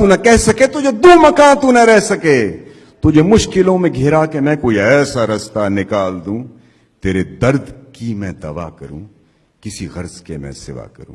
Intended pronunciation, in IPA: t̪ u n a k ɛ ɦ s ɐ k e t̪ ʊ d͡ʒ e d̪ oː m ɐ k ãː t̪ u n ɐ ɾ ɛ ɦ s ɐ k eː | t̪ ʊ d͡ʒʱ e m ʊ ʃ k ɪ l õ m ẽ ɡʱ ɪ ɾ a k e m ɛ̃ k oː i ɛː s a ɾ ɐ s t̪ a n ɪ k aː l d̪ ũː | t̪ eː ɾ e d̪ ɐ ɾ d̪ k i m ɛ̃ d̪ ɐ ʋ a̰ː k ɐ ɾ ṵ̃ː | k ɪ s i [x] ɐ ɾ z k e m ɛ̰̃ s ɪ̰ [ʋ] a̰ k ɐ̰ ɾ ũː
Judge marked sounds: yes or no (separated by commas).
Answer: no, yes